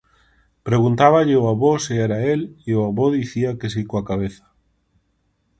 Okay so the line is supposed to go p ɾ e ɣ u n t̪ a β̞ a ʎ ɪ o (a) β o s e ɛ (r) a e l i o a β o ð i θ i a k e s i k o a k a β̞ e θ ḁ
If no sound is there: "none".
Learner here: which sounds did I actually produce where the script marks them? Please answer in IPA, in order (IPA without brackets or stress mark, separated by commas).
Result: a, ɾ